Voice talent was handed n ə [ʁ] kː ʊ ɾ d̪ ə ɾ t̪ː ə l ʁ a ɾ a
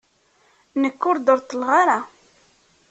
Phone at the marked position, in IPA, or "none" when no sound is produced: none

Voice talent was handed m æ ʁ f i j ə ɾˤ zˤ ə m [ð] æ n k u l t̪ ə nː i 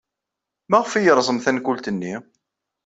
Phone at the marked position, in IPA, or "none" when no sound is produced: θ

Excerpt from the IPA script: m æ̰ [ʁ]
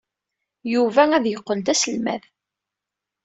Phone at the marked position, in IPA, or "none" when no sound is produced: ð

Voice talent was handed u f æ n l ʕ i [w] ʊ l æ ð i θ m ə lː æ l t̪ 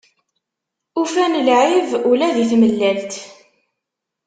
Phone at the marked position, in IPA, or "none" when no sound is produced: v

